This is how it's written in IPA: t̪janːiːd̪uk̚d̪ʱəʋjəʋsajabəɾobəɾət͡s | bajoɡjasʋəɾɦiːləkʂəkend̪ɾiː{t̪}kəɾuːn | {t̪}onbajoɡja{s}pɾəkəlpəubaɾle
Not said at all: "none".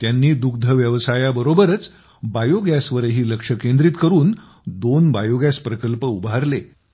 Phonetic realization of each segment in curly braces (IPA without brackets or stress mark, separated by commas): t̪, d̪, s